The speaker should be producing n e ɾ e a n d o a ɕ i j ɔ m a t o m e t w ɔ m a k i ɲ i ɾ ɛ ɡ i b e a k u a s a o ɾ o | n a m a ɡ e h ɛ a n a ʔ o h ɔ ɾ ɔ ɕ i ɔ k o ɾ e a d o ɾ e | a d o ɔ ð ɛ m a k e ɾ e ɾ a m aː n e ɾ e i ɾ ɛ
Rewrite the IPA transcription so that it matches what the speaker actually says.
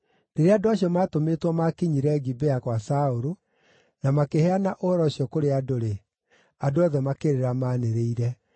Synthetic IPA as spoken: n e ɾ e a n d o a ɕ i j ɔ m a t o m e t w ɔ m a k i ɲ i ɾ ɛ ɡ i b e a k w a s a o ɾ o | n a m a k e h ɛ a n a ʔ o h ɔ ɾ ɔ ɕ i ɔ k o ɾ e a d o ɾ e | a d o ɔ ð ɛ m a k e ɾ e ɾ a m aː n e ɾ e i ɾ ɛ